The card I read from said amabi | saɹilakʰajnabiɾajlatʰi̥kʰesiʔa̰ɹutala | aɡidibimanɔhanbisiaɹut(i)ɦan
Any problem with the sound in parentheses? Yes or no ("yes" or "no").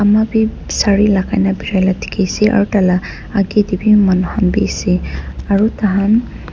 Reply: yes